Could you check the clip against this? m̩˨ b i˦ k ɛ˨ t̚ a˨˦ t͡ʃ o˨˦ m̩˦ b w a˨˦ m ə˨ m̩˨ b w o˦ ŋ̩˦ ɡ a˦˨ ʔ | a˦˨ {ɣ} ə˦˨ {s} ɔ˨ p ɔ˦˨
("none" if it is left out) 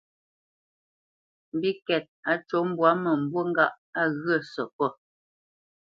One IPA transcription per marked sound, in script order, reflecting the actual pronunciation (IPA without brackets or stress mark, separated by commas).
ɣ, s